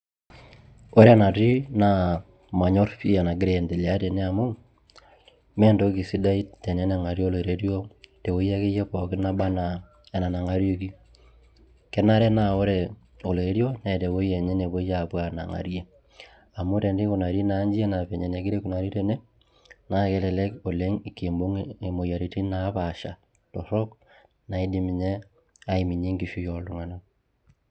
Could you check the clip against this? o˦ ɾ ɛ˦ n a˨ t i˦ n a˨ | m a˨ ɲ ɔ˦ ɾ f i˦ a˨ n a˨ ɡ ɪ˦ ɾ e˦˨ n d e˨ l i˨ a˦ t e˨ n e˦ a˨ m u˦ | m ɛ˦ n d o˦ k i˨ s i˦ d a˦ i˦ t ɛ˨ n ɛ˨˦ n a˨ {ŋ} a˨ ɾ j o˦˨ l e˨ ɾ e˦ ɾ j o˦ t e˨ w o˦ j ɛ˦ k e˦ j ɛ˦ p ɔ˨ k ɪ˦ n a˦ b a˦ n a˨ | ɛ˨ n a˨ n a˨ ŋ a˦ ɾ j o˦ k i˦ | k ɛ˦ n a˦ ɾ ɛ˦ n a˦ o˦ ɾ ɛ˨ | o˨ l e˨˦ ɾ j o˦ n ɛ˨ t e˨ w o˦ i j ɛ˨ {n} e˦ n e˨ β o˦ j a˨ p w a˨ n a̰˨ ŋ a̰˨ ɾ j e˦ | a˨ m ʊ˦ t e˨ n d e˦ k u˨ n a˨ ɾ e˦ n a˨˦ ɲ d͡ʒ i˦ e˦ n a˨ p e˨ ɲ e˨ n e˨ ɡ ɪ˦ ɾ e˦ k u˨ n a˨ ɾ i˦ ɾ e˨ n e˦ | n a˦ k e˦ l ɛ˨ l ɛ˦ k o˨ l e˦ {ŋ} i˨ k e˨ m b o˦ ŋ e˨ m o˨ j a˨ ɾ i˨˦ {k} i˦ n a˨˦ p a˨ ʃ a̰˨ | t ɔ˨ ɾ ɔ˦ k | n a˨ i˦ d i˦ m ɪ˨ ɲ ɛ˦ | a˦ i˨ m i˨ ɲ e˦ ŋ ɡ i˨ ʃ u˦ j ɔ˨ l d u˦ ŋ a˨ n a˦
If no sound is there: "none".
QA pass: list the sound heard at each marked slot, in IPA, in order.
ŋ, ɲ, ŋ, t

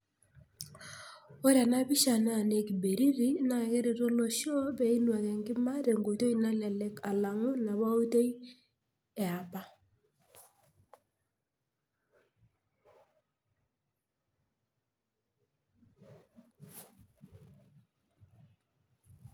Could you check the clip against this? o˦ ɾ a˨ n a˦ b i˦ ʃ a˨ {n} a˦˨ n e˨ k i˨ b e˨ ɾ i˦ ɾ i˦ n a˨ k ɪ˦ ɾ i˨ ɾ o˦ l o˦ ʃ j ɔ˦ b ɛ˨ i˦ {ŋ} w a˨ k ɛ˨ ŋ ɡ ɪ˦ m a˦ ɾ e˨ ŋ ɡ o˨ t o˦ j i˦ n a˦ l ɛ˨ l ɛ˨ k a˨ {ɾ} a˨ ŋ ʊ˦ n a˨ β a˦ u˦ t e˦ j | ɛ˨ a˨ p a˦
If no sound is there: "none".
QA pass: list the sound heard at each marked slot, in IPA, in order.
n, n, l

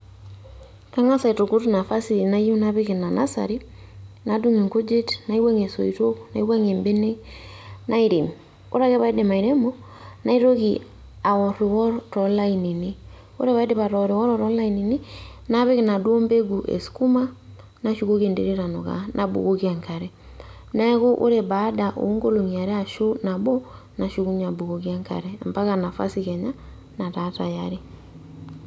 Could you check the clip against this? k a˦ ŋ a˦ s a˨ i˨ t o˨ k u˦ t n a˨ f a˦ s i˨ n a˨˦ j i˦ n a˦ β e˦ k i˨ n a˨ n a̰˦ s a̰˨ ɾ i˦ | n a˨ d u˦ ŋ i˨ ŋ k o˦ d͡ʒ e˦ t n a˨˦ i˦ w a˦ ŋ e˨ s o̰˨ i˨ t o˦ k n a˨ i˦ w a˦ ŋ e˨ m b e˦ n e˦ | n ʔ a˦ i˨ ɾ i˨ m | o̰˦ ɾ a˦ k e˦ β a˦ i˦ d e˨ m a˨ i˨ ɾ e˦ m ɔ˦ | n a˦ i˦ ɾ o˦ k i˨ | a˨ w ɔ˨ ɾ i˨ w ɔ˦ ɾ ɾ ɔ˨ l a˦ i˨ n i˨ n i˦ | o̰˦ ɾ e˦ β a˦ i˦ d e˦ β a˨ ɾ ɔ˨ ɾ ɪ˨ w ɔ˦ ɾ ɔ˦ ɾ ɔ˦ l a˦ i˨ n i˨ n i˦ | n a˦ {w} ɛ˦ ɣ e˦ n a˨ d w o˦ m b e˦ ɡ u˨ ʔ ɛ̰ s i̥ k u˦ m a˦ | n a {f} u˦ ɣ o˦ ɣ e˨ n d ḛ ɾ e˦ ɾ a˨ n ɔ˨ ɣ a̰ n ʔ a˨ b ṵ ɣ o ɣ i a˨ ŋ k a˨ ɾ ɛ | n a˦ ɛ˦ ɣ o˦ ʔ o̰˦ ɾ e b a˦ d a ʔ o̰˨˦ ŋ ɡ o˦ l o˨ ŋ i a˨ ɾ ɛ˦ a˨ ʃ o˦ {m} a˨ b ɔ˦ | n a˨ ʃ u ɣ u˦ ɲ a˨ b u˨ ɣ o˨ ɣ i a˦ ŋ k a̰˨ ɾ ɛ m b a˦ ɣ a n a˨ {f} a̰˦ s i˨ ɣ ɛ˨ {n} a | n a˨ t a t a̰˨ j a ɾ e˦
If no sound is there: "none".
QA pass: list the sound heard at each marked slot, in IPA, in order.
β, ʃ, n, f, ɲ

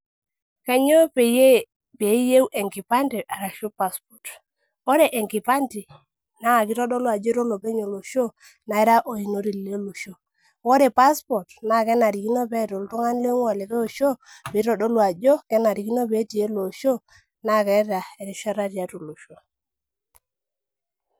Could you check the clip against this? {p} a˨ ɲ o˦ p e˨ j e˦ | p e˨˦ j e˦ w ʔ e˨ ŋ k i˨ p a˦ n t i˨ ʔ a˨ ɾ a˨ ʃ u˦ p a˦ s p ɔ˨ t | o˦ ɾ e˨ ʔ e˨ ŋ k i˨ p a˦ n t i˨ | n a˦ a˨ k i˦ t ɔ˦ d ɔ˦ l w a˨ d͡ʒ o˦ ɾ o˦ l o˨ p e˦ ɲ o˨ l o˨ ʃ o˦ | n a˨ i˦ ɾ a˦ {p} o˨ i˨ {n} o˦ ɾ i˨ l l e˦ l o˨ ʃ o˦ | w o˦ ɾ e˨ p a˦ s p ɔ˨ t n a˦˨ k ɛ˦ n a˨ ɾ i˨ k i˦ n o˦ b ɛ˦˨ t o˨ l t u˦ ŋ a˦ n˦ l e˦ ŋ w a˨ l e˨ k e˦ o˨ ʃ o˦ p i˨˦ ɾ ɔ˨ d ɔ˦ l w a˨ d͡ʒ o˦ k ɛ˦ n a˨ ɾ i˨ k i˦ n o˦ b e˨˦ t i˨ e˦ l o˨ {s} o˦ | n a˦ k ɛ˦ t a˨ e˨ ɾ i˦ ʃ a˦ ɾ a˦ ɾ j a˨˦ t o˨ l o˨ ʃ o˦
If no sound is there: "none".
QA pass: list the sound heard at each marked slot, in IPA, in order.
k, ʔ, n, ʃ

